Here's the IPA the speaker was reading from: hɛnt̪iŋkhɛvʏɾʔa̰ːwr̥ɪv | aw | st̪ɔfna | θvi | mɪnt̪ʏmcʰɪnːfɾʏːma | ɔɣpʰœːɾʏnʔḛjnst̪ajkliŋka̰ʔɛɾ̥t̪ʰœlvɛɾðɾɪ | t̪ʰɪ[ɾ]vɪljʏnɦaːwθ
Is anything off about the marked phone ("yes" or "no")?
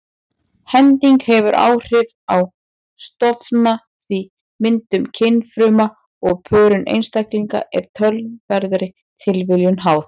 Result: yes